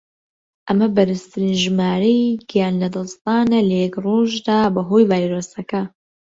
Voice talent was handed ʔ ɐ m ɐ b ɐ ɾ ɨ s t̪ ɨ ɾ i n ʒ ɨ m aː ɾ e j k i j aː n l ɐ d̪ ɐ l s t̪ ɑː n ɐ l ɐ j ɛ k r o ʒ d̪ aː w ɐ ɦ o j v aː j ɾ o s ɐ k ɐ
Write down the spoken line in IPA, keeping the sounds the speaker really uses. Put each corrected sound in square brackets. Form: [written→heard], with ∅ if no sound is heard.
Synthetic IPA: ʔ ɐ m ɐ b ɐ ɾ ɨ s t̪ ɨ ɾ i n ʒ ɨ m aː ɾ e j [k→ɡ] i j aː n l ɐ d̪ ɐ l s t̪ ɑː n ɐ l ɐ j ɛ k r o ʒ d̪ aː [w→b] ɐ ɦ o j v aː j ɾ o s ɐ k ɐ